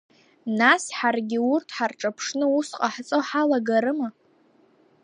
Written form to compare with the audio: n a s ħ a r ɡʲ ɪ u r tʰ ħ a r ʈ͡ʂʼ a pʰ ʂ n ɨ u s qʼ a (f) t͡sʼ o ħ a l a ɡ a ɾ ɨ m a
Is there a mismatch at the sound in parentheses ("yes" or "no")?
yes